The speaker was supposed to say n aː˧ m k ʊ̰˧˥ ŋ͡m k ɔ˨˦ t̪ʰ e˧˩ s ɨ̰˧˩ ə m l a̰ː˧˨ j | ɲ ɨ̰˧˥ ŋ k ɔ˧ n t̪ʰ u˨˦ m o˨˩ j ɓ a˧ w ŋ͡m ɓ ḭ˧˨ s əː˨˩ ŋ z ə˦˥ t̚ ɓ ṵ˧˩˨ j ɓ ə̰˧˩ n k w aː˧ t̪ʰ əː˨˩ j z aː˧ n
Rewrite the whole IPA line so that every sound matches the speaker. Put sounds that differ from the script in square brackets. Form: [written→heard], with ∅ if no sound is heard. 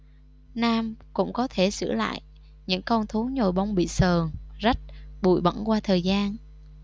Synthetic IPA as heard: n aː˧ m k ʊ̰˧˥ ŋ͡m k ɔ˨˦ t̪ʰ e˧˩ s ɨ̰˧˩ ə [m→∅] l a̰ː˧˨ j | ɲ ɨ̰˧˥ ŋ k ɔ˧ n t̪ʰ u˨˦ [m→ɲ] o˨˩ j ɓ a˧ w ŋ͡m ɓ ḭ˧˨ s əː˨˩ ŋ z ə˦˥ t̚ ɓ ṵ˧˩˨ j ɓ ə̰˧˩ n k w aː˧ t̪ʰ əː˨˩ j z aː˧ n